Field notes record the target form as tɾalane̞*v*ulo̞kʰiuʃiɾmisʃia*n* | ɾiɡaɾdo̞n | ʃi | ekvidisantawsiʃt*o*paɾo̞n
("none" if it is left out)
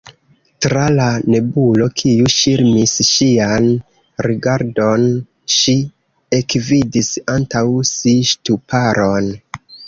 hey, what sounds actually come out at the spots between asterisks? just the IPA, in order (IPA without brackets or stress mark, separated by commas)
b, n, u